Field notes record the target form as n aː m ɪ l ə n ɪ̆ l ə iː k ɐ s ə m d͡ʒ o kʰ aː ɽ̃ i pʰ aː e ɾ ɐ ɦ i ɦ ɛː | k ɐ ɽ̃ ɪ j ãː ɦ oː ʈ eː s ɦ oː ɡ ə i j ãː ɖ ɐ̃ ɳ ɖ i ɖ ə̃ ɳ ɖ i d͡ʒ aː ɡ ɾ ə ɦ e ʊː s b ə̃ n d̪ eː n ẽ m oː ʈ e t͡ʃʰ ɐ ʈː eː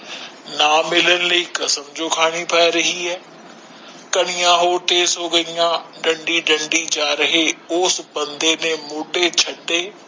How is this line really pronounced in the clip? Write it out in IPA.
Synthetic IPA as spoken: n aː m ɪ l ə n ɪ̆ l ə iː k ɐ s ə m d͡ʒ o kʰ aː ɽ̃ i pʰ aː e ɾ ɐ ɦ i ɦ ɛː | k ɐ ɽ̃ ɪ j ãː ɦ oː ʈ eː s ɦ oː ɡ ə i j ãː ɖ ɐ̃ ɳ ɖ i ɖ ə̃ ɳ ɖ i d͡ʒ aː ɾ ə ɦ e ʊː s b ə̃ n d̪ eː n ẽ m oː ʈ e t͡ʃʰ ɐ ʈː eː